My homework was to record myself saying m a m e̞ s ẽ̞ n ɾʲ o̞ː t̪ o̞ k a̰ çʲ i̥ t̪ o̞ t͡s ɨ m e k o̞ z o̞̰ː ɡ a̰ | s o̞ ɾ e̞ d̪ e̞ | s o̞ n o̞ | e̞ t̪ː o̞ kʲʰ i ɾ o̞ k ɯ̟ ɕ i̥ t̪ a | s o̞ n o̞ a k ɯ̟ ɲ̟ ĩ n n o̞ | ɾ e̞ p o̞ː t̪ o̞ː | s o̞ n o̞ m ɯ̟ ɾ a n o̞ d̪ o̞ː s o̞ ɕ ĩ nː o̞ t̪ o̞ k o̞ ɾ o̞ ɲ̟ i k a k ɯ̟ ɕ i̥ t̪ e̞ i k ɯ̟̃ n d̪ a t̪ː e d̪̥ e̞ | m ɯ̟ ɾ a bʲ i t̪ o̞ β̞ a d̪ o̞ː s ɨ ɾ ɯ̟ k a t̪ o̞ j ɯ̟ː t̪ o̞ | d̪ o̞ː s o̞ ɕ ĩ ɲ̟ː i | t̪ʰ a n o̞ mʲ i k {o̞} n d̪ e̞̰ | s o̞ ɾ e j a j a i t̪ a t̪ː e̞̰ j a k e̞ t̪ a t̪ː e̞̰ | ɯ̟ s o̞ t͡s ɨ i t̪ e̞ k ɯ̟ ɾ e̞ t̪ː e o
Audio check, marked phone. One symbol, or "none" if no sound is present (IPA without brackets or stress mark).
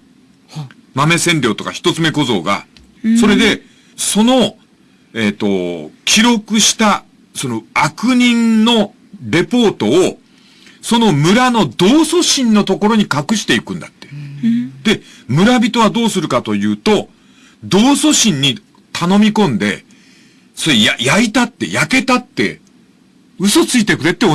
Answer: õ̞